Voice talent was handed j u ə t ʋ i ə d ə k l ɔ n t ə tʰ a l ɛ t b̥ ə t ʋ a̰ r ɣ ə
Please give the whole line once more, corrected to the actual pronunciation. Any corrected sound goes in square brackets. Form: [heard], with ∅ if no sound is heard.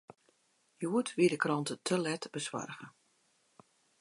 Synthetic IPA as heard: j u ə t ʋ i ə d ə k [r] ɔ n t ə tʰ [ə] l ɛ t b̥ ə [s] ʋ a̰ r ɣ ə